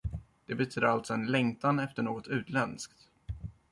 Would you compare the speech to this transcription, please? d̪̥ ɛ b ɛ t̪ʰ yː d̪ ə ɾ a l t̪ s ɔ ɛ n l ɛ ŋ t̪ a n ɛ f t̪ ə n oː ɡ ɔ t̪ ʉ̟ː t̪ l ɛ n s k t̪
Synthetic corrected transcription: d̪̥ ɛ b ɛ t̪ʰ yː d̪ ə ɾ a l t̪ s ɔ ɛ n l ɛ ŋ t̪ a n ɛ f t̪ ə ɳ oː ɡ ɔ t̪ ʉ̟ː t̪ l ɛ n s k t̪